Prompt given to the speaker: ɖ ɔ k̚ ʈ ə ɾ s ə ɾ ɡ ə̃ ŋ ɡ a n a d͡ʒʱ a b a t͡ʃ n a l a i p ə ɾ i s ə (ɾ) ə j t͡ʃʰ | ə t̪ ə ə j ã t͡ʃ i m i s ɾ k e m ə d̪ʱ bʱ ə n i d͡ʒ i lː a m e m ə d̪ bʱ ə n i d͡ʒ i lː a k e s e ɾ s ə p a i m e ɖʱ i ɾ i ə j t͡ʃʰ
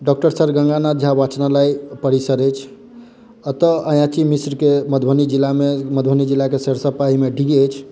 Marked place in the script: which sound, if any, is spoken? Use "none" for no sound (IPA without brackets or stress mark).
ɾ